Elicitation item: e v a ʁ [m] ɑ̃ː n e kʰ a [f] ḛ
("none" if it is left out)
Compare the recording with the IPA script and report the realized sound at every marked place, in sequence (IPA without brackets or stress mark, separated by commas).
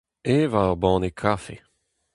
b, f